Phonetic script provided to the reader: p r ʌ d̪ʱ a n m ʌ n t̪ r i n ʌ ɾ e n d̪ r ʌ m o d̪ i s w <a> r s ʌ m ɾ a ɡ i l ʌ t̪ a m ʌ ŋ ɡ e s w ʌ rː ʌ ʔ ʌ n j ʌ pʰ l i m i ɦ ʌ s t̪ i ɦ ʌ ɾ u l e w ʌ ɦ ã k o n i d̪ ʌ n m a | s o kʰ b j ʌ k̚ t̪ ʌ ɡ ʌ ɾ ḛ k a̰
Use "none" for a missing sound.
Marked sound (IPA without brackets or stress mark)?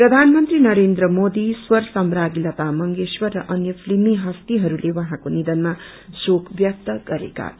ʌ